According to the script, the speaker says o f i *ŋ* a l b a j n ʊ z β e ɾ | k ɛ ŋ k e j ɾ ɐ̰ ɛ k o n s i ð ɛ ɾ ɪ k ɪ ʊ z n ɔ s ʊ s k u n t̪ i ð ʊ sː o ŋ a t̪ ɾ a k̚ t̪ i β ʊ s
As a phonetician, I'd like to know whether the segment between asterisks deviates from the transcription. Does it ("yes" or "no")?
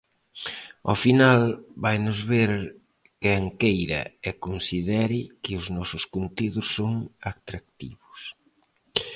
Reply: yes